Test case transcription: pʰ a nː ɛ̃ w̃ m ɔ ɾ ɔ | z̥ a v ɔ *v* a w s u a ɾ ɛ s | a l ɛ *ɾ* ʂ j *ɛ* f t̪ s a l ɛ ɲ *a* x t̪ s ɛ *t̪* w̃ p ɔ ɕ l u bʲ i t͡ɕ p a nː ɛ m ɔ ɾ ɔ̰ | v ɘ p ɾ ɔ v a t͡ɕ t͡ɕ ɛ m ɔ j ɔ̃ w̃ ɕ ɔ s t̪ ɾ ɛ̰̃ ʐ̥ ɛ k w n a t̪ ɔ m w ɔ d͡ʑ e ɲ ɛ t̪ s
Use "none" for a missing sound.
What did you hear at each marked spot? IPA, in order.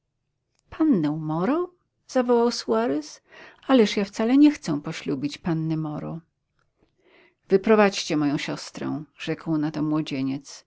w, none, a, ɛ, none

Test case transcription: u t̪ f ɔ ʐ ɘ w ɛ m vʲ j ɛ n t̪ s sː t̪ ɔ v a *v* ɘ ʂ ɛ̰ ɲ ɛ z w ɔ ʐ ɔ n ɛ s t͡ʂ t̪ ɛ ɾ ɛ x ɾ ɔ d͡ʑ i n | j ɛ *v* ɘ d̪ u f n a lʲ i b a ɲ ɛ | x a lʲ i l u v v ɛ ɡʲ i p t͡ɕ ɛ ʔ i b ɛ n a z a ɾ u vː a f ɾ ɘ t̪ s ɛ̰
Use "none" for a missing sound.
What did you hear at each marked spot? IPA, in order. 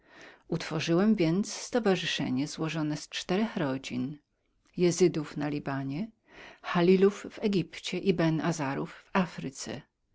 ʐ, z

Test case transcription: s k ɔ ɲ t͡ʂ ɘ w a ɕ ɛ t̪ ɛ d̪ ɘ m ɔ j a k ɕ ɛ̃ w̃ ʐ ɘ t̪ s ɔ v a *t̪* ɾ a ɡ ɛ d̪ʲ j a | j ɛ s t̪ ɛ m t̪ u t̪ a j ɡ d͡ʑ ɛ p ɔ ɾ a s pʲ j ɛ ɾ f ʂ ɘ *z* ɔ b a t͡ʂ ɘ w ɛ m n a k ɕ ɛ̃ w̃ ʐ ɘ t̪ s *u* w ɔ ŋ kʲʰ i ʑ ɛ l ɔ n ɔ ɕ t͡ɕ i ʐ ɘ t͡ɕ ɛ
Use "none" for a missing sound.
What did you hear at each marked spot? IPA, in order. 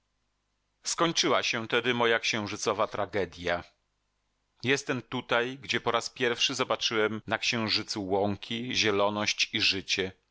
t̪, z, u

